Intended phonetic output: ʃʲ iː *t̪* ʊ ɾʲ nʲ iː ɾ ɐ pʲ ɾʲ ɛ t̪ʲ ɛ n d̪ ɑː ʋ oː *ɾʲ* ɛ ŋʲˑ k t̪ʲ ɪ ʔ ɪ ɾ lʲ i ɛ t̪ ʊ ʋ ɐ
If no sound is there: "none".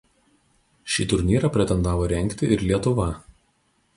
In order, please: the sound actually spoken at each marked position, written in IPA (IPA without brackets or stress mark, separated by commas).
t̪, ɾʲ